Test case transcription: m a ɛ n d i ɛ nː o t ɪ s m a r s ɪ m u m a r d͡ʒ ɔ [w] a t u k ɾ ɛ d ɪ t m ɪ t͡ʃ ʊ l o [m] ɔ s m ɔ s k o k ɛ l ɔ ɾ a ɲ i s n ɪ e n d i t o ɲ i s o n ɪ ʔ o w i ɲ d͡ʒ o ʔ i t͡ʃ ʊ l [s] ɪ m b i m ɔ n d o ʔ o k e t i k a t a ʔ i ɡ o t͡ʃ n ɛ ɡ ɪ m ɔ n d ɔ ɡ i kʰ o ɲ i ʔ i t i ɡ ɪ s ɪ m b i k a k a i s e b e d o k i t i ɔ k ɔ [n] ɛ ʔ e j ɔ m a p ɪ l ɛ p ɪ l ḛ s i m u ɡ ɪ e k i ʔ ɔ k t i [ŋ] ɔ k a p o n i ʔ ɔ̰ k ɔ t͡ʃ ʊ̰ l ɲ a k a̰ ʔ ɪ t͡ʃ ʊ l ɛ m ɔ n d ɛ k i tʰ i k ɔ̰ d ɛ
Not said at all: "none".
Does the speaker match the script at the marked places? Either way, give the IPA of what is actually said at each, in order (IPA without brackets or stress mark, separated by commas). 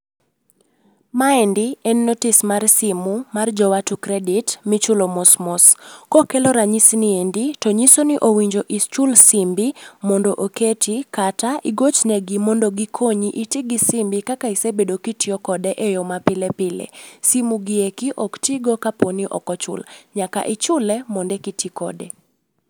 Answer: w, m, s, d, ɡ